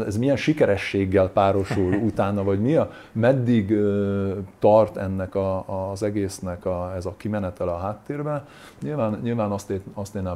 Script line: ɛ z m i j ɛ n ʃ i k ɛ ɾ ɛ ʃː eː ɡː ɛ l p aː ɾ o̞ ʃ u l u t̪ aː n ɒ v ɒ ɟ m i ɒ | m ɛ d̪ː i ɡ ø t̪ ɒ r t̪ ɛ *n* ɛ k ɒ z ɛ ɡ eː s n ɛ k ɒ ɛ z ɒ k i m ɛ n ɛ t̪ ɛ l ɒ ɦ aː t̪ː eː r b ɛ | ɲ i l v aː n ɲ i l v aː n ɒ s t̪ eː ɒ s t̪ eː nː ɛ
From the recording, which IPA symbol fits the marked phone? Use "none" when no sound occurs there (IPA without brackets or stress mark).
nː